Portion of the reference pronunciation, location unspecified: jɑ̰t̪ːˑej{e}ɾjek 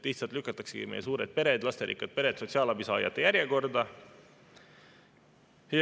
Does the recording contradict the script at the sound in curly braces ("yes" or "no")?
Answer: yes